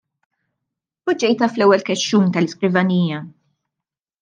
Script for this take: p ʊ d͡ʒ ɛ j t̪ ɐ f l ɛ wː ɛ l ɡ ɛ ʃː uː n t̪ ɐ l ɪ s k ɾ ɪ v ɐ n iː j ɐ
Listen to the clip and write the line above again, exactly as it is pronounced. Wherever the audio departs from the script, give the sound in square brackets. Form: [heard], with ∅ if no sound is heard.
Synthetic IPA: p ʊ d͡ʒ ɛ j t̪ ɐ f l ɛ wː ɛ l [k] ɛ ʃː uː n t̪ ɐ l ɪ s k ɾ ɪ v ɐ n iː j ɐ